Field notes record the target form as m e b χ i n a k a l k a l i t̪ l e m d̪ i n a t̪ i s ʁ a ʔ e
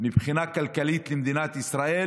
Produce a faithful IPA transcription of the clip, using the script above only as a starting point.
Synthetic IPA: m i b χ i n a k a l k a l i t̪ l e m d̪ i n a t̪ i s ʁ a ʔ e